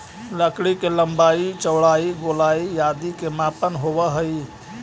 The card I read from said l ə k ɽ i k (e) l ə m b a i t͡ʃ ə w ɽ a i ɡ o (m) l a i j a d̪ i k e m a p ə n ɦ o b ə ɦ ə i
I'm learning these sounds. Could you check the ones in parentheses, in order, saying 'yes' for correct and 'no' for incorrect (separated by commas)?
yes, no